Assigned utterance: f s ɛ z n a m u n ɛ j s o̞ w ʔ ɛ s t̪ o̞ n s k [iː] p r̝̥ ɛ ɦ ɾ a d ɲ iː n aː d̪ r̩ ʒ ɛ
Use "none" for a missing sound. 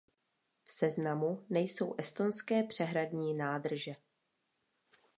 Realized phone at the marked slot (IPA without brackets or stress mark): ɛː